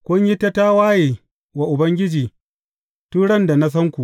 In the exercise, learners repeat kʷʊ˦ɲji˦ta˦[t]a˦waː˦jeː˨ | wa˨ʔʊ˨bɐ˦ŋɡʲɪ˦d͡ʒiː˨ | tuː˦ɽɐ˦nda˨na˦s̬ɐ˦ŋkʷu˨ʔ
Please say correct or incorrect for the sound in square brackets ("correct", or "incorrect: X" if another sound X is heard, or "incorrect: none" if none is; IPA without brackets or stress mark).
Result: correct